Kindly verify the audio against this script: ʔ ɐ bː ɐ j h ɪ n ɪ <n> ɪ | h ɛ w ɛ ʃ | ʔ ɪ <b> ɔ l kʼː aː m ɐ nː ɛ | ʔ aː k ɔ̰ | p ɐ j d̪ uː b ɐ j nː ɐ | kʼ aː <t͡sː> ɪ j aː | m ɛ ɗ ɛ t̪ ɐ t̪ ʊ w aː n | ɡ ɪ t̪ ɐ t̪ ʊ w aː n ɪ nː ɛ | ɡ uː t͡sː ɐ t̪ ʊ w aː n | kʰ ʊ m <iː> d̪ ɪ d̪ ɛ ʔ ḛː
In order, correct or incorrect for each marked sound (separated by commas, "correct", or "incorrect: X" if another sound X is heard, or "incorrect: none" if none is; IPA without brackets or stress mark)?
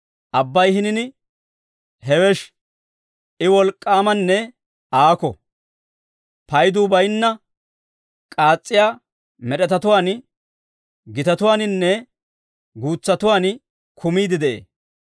correct, incorrect: w, incorrect: t͡sʼː, correct